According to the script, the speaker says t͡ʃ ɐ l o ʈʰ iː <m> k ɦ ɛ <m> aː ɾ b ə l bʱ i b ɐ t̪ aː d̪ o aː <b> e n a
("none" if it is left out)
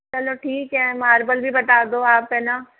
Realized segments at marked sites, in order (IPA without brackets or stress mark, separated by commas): none, m, p